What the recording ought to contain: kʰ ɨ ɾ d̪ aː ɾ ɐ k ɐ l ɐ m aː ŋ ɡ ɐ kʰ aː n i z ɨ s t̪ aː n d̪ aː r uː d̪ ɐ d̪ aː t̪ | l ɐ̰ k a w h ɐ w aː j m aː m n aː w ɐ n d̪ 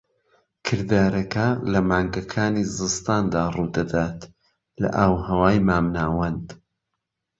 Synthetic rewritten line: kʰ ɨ ɾ d̪ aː ɾ ɐ k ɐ l ɐ m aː ŋ ɡ ɐ kʰ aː n i z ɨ s t̪ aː n d̪ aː r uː d̪ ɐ d̪ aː t̪ | l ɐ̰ ʔ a w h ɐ w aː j m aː m n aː w ɐ n d̪

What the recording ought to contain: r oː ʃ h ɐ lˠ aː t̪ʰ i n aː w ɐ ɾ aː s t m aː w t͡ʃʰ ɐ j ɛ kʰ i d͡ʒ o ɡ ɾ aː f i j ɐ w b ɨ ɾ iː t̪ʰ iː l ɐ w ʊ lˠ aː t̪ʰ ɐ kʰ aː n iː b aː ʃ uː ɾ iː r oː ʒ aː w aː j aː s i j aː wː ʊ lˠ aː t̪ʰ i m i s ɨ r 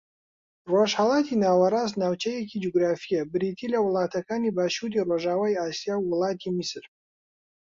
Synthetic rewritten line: r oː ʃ h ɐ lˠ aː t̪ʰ i n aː w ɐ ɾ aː s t n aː w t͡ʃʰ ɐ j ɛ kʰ i d͡ʒ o ɡ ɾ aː f i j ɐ b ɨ ɾ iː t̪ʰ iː l ɐ w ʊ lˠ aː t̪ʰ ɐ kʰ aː n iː b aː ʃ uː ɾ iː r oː ʒ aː w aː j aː s i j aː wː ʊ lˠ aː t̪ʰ i m i s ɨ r

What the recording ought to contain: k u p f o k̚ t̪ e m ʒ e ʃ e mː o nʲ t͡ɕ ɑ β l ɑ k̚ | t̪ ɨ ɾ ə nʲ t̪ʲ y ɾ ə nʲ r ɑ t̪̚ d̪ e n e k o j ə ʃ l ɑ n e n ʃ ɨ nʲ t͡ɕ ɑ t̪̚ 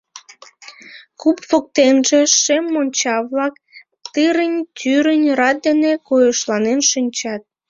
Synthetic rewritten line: k u p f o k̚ t̪ e n ʒ e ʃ e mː o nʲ t͡ɕ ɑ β l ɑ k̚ | t̪ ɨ ɾ ə nʲ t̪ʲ y ɾ ə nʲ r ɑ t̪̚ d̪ e n e k o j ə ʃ l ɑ n e n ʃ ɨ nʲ t͡ɕ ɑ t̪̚

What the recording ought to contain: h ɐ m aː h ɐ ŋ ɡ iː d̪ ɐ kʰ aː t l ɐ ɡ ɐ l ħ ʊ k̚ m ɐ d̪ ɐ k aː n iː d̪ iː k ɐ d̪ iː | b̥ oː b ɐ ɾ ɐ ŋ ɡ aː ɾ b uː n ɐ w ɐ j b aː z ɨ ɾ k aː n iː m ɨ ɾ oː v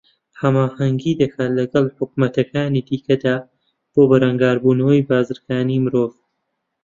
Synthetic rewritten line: h ɐ m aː h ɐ ŋ ɡ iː d̪ ɐ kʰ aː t l ɐ ɡ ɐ l ħ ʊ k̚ m ɐ t̪ ɐ k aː n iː d̪ iː k ɐ d̪ aː | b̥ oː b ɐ ɾ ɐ ŋ ɡ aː ɾ b uː n ɐ w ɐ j b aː z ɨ ɾ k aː n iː m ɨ ɾ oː v

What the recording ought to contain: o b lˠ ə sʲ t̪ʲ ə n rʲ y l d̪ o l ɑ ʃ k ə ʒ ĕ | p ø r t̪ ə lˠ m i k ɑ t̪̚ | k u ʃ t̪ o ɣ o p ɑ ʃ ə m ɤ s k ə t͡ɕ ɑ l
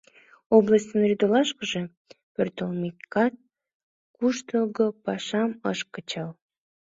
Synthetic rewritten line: o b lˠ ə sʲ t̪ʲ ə n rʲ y d̪ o l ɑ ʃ k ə ʒ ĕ | p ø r t̪ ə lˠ m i k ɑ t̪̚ | k u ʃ t̪ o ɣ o p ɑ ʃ ɑ m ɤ ʃ k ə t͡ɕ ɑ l

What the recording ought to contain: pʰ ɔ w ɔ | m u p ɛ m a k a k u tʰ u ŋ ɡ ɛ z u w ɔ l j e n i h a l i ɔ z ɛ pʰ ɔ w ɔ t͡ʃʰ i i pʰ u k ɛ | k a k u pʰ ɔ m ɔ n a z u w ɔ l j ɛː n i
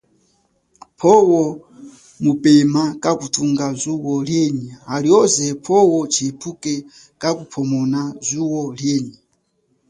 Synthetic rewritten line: pʰ ɔ w ɔ | m u p ɛ m a k a k u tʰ u ŋ ɡ a z u w ɔ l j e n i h a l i ɔ z ɛ pʰ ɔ w ɔ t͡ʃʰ i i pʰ u k ɛ | k a k u pʰ ɔ m ɔ n a z u w ɔ l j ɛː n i

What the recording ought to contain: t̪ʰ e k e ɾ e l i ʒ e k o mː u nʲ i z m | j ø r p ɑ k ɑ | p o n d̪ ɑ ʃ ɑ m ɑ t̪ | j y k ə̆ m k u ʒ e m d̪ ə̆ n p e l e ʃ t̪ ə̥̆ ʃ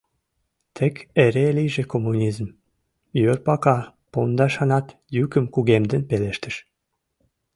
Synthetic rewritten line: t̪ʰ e k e ɾ e l i ʒ e k o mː u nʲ i z m | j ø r p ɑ k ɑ | p o n d̪ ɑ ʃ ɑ n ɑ t̪ | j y k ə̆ m k u ɣ e m d̪ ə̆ n p e l e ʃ t̪ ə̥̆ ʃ

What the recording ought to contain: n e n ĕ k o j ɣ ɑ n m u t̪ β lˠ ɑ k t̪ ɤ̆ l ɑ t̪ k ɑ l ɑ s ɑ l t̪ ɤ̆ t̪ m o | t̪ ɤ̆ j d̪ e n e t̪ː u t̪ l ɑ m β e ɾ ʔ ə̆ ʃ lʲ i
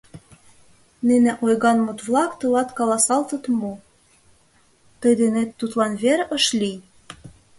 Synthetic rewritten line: n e n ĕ ʔ o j ɣ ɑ n m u t̪ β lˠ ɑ k t̪ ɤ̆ l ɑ t̪ k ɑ l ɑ s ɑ l t̪ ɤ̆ t̪ m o | t̪ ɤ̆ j d̪ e n e t̪ː u t̪ l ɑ n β e ɾ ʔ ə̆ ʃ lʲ i

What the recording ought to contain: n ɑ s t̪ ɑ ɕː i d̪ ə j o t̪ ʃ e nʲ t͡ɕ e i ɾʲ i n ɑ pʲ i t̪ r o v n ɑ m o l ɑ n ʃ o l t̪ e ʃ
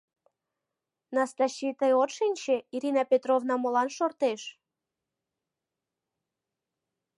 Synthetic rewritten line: n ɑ s t̪ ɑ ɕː i t̪ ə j o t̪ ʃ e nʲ t͡ɕ e i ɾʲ i n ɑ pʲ e t̪ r o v n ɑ m o l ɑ n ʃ o r t̪ e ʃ

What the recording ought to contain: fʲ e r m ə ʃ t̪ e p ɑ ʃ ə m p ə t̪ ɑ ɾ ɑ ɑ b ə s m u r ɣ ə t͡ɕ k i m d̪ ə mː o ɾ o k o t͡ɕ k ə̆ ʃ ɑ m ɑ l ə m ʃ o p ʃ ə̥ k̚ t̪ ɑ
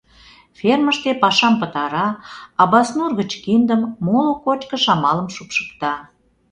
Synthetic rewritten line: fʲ e r m ə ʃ t̪ e p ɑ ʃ ɑ m p ə t̪ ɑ ɾ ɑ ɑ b ɑ s n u r ɣ ə t͡ɕ k i n d̪ ə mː o l o k o t͡ɕ k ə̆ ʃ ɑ m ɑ l ə m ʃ u p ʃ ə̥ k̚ t̪ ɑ

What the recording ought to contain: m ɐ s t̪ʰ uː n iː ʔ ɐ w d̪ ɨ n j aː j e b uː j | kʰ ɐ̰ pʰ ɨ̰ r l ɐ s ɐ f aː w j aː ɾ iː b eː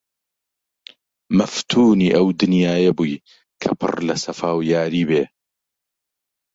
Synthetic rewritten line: m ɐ f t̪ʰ uː n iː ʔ ɐ w d̪ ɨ n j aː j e b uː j | kʰ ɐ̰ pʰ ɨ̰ r l ɐ s ɐ f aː w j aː ɾ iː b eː

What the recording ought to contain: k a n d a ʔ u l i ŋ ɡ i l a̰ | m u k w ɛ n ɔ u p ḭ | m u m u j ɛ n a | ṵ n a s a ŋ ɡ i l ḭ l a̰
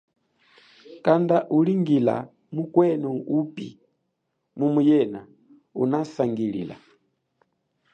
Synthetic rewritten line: k a n d a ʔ u l i ŋ ɡ i l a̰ | m u k w ɛ n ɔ u p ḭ | m u m u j ɛ n a | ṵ n a s a ŋ ɡ i l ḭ l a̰

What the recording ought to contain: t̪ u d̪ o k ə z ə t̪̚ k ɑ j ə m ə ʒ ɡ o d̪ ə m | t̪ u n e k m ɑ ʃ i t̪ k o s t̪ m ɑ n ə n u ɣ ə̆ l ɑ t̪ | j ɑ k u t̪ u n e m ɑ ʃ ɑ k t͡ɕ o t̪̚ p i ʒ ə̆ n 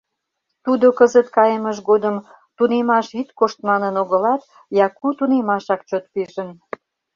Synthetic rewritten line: t̪ u d̪ o k ə z ə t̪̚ k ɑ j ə m ə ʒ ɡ o d̪ ə m | t̪ u n e m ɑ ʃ i t̪ k o ʃ t̪ m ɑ n ə n o ɣ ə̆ l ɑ t̪ | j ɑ k u t̪ u n e m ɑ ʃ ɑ k t͡ɕ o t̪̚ p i ʒ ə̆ n

